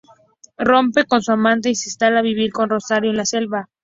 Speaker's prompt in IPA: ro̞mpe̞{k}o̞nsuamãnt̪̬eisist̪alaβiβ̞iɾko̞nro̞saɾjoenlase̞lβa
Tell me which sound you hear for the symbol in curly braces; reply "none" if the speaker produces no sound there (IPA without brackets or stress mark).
k